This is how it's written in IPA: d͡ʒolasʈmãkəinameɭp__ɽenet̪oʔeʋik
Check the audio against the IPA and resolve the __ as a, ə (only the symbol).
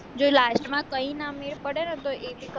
ə